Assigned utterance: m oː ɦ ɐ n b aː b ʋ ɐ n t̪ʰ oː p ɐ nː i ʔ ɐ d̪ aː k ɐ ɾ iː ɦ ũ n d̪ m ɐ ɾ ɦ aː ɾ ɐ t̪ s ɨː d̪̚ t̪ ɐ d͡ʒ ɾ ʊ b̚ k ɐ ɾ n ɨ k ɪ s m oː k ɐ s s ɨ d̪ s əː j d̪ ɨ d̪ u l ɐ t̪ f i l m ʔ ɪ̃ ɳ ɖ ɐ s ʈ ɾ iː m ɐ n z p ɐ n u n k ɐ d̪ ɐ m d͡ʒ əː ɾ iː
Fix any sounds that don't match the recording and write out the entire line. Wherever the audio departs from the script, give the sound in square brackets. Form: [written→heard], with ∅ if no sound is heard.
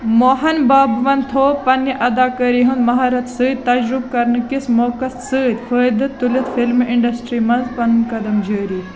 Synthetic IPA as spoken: m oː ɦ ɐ n b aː b ʋ ɐ n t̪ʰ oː p ɐ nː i ʔ ɐ d̪ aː k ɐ ɾ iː ɦ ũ n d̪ m ɐ [ɾ→∅] ɦ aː ɾ ɐ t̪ s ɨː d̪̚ t̪ ɐ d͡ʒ ɾ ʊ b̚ k ɐ ɾ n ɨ k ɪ s m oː k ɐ s s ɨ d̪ [s→f] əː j d̪ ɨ [d̪→t̪] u l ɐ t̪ f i l m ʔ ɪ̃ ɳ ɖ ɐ s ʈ ɾ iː m ɐ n z p ɐ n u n k ɐ d̪ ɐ m d͡ʒ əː ɾ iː